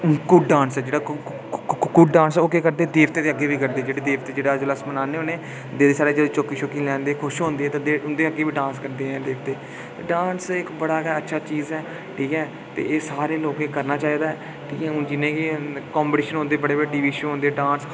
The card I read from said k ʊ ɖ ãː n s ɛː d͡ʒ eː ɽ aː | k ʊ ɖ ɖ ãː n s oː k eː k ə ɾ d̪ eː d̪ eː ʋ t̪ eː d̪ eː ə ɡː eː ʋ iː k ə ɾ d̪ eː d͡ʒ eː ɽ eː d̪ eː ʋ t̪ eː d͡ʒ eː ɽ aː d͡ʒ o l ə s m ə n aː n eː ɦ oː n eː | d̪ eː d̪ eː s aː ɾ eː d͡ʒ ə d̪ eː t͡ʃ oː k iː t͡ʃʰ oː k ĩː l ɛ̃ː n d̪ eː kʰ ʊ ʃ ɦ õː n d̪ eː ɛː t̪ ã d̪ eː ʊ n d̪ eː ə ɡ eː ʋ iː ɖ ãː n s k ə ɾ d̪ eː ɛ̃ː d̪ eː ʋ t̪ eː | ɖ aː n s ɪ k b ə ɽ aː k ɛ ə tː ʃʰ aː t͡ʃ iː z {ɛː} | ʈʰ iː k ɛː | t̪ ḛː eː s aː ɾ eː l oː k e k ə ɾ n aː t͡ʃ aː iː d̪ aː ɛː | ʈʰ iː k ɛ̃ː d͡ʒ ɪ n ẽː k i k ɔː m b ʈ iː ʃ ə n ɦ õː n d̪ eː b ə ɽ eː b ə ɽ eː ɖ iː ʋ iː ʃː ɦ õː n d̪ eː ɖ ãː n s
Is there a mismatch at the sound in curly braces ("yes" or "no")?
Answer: no